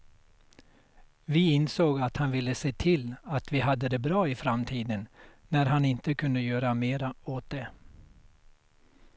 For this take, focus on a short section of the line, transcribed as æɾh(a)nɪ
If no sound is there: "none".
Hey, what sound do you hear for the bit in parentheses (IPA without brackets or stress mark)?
a